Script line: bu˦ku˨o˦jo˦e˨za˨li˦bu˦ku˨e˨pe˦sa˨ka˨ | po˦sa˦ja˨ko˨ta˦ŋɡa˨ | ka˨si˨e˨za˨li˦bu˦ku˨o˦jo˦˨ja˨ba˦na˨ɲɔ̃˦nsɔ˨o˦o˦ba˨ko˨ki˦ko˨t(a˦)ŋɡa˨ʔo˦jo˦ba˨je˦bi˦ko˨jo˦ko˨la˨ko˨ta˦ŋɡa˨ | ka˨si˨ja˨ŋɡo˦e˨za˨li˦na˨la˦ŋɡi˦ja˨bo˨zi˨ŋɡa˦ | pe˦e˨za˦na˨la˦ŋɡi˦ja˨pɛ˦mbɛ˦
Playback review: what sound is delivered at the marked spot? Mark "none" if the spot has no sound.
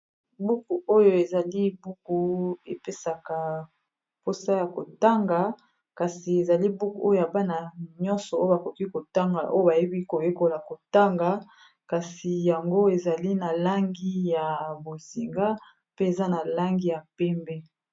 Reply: a˦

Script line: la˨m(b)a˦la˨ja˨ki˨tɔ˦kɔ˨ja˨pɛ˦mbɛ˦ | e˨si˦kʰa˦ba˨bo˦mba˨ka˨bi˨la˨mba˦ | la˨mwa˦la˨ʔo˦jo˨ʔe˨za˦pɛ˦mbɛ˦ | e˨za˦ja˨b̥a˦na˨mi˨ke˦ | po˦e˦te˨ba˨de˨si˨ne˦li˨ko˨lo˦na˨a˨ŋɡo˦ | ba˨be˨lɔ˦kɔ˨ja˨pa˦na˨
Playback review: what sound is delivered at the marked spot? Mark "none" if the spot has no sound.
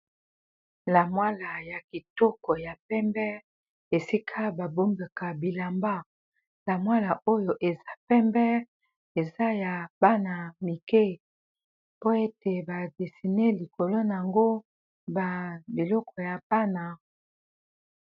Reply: w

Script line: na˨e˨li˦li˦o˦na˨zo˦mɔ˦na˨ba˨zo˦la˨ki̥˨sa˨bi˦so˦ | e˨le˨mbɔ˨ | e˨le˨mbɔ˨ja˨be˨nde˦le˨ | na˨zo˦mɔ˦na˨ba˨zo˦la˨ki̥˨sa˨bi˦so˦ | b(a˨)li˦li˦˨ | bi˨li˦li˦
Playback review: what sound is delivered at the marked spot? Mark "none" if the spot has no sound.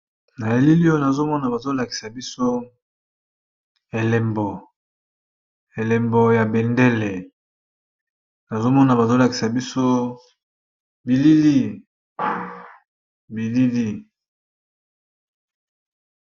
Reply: i˨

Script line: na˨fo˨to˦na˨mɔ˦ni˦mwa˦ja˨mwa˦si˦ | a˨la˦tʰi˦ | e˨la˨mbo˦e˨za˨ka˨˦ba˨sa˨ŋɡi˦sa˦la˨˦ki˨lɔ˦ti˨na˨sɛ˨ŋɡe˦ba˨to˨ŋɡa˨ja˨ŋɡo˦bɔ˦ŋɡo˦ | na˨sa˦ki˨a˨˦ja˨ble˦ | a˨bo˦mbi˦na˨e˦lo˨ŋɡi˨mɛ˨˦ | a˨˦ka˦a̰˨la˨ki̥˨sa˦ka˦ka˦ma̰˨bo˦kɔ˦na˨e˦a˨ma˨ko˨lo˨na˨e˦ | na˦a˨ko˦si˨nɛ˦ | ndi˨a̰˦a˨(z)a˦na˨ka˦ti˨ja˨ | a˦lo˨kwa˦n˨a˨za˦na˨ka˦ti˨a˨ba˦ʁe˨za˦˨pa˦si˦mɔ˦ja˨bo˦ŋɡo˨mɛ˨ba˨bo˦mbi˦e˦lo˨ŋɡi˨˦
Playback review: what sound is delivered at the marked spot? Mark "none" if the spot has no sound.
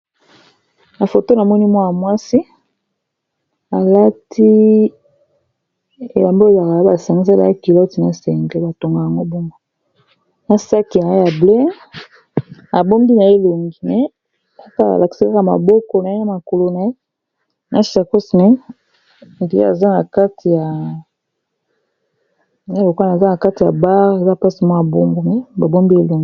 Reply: z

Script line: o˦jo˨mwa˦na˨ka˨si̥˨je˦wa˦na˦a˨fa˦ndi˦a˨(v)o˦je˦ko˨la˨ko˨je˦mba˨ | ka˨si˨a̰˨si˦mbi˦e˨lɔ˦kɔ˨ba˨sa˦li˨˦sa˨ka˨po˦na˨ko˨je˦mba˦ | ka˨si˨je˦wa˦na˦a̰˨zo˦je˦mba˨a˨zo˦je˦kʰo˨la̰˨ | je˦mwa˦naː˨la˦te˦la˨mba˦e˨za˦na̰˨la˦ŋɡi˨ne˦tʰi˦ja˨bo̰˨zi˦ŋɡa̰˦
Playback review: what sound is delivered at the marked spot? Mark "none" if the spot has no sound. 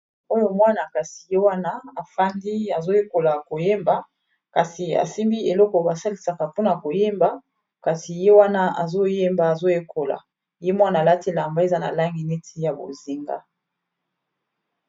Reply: z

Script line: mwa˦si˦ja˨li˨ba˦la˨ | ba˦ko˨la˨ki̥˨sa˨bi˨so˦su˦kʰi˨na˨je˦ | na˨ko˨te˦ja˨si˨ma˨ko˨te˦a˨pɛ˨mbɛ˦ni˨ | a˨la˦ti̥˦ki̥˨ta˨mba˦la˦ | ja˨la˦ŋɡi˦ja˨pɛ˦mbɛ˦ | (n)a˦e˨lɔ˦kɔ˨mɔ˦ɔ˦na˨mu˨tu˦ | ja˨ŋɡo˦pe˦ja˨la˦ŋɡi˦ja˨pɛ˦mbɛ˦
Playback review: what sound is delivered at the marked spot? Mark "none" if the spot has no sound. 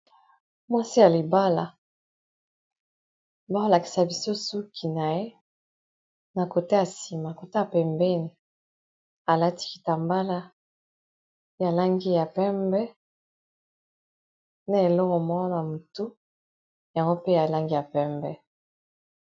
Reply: n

